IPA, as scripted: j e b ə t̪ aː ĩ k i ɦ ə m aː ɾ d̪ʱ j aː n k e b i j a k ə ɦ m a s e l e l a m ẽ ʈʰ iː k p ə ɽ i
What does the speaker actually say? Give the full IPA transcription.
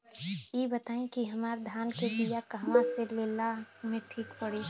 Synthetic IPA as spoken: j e b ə t̪ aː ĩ k i ɦ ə m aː ɾ d̪ʱ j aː n k e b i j a k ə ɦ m a s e l e l a m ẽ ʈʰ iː k p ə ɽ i